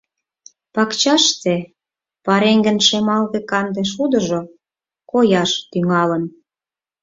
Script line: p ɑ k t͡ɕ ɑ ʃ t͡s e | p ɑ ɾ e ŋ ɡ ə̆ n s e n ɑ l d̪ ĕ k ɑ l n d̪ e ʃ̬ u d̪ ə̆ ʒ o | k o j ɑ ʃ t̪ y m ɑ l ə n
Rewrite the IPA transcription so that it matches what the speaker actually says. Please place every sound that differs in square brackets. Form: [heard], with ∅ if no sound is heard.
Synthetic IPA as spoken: p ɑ k t͡ɕ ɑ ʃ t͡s e | p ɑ ɾ e ŋ ɡ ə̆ n [ʃ] e [m] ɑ l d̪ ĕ k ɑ [∅] n d̪ e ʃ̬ u d̪ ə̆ ʒ o | k o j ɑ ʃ t̪ y [ŋ] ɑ l ə n